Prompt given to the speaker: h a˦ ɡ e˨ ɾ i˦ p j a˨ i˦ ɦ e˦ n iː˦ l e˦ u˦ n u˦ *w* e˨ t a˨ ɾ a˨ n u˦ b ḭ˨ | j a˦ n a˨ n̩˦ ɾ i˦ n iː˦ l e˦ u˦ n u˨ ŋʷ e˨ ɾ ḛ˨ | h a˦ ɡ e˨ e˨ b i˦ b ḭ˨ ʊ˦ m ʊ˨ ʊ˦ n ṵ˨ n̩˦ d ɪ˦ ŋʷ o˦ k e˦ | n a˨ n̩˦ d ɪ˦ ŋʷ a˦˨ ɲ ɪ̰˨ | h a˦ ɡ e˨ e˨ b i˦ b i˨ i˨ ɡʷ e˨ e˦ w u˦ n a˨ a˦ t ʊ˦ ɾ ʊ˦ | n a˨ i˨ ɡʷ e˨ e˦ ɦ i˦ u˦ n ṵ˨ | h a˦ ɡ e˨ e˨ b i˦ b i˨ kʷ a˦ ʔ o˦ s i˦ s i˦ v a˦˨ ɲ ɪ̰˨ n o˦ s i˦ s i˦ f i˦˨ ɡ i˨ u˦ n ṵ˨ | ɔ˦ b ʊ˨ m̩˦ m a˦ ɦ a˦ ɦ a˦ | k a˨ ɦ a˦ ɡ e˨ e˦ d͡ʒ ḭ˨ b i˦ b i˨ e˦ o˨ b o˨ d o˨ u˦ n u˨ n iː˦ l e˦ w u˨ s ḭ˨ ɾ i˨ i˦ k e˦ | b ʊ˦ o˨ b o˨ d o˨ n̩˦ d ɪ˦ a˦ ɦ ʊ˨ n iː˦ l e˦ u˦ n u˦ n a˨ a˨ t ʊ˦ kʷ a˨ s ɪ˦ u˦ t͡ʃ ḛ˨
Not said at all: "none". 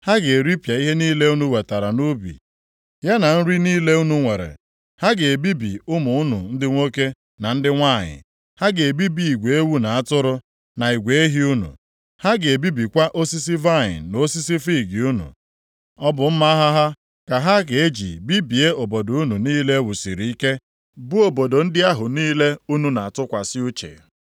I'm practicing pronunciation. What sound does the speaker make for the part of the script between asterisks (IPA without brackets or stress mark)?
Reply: w